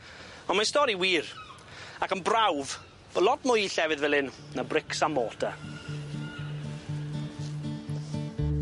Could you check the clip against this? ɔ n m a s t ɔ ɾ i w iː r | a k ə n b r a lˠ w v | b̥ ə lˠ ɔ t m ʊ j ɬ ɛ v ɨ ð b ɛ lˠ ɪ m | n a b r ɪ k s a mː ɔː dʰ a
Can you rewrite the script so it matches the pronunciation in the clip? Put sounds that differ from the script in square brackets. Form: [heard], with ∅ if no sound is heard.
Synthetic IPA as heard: ɔ n m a s t ɔ ɾ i w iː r | a k ə n b r a [∅] w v | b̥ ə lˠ ɔ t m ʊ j ɬ ɛ v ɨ ð [v] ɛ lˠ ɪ [n] | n a b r ɪ k s a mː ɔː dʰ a